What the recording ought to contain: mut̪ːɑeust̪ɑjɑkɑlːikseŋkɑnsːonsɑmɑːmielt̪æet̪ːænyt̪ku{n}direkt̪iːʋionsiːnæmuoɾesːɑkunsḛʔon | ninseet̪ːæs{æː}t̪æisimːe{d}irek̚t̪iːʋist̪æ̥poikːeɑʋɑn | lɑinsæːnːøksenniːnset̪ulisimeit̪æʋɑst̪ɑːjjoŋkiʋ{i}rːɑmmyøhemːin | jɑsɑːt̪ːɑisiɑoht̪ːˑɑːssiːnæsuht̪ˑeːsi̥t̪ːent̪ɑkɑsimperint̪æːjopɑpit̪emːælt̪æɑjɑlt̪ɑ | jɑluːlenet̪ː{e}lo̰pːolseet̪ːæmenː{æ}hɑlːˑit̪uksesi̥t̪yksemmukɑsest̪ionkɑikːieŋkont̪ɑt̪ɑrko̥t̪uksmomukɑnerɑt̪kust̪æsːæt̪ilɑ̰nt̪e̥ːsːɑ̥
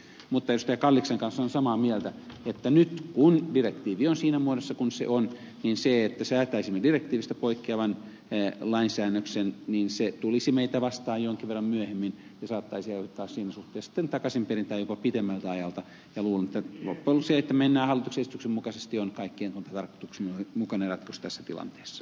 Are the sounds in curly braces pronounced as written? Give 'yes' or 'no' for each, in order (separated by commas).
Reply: yes, yes, yes, no, no, no